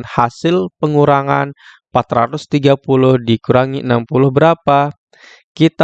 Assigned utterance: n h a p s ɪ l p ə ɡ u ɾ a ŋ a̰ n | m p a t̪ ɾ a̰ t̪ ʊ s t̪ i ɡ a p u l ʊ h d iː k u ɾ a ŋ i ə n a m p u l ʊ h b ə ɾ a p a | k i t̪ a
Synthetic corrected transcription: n h a s ɪ l p ə ŋ u ɾ a ŋ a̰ n | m p a t̪ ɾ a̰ t̪ ʊ s t̪ i ɡ a p u l ʊ h d i k u ɾ a ŋ i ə n a m p u l ʊ h b ə ɾ a p a | k i t̪ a